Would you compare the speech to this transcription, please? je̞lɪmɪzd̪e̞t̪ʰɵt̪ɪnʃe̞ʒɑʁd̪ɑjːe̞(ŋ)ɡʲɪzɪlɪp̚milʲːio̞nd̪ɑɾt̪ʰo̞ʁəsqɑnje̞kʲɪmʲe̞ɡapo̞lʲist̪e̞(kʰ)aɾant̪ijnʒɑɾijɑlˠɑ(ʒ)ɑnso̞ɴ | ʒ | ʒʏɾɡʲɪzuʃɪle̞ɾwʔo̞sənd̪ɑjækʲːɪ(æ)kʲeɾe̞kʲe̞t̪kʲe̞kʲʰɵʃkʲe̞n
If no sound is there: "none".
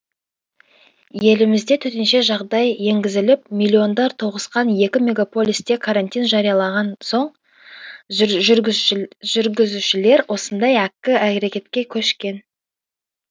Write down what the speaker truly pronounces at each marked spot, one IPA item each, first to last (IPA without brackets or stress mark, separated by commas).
ŋ, kʰ, ʁ, æ